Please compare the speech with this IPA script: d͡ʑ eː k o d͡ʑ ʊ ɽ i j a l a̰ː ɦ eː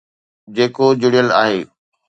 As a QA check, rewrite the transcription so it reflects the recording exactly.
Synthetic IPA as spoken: d͡ʑ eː k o d͡ʑ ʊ ɽ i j ə l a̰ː ɦ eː